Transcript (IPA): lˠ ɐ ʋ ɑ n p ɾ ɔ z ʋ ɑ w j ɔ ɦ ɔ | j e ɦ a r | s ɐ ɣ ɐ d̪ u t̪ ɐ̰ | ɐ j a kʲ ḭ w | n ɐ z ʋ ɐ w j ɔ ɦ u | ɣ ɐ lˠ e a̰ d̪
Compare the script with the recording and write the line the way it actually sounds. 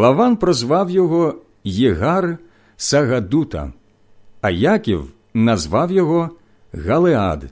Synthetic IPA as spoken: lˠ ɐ ʋ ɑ n p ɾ ɔ z ʋ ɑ w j ɔ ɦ ɔ | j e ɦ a r | s ɐ ɣ ɐ d̪ u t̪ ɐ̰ | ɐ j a kʲ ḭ w | n ɐ z ʋ ɑ w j ɔ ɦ ɔ | ɣ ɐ lˠ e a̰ d̪